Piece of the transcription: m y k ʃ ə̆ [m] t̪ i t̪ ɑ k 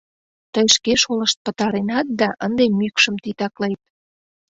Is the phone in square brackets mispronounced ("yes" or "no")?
no